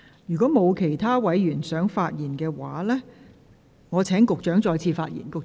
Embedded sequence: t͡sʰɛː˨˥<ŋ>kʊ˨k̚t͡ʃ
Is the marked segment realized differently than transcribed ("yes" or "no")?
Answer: no